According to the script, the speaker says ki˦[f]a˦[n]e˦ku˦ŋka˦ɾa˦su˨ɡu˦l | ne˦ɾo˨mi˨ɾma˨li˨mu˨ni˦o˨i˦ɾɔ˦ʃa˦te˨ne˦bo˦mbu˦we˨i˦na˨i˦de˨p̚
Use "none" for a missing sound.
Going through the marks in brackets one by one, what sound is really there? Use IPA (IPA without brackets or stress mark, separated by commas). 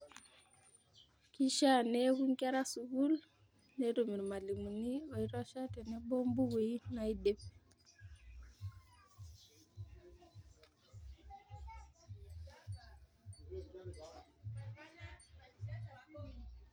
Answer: ʃ, n